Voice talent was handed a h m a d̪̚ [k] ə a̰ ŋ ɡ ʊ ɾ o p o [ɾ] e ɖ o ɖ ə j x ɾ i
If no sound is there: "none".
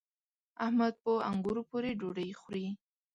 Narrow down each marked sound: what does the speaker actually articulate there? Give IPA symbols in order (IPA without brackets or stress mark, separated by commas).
p, ɾ